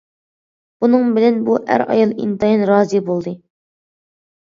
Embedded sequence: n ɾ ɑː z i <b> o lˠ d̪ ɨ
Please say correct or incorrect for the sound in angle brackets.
correct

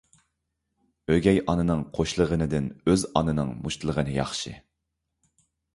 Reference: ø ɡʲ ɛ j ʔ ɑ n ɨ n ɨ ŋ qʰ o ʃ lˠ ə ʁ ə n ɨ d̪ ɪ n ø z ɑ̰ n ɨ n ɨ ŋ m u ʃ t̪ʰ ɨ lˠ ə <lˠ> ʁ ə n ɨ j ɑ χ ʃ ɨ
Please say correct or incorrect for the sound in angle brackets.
incorrect: none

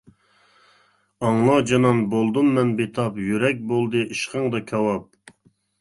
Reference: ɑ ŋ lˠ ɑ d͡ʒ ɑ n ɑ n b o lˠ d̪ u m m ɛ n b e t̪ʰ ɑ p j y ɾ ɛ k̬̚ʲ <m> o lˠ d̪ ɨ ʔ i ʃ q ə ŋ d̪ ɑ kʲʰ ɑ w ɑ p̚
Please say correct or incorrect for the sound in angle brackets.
incorrect: b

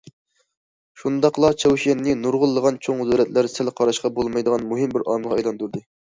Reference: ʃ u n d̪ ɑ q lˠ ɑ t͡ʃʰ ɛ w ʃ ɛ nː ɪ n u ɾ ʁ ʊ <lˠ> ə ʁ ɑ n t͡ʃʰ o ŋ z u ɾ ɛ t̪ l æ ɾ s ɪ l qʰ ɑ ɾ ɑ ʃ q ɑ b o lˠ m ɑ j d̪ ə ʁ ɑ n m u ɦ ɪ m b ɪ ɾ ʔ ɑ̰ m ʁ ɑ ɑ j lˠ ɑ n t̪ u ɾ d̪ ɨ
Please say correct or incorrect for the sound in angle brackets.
incorrect: lˠː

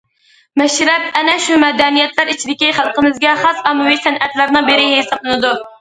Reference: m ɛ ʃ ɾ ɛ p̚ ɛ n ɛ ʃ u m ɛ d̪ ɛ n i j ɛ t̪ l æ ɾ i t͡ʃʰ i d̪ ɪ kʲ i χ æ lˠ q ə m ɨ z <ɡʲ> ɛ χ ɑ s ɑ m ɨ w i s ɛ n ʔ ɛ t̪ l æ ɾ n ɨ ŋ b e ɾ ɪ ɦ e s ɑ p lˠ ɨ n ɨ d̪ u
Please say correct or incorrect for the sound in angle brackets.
correct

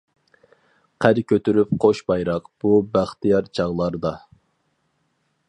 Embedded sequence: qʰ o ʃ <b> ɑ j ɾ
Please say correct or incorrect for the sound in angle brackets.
correct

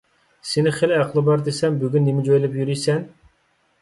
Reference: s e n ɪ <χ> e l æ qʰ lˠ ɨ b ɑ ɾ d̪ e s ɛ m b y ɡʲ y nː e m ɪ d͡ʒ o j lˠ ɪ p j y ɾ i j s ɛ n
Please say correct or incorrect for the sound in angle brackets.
correct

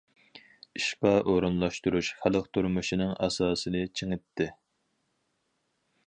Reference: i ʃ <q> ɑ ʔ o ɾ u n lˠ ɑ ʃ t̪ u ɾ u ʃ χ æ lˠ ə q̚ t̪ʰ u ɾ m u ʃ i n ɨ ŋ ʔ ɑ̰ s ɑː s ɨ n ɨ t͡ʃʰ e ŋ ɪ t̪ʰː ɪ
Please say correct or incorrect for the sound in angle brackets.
incorrect: p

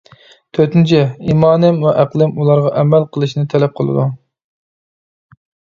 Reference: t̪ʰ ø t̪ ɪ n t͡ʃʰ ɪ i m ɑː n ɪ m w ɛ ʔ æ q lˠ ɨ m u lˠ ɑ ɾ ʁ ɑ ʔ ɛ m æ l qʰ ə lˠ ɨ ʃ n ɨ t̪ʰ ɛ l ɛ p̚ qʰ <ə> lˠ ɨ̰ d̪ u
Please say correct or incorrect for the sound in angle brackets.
correct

